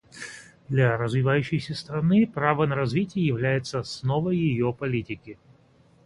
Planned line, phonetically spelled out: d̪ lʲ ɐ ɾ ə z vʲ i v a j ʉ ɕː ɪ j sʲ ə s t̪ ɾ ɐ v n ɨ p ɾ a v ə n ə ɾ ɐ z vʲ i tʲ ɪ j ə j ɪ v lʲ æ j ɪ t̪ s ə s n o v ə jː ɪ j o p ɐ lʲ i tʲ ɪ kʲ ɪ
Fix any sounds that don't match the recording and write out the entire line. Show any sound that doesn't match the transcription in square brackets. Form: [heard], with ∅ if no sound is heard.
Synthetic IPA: d̪ lʲ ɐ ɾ ə z vʲ [ɪ] v a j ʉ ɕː ɪ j sʲ ə s t̪ ɾ ɐ [∅] n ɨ p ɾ a v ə n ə ɾ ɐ z vʲ i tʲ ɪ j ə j ɪ v lʲ æ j ɪ t̪ s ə s n o v ə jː ɪ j o p ɐ lʲ i tʲ ɪ kʲ ɪ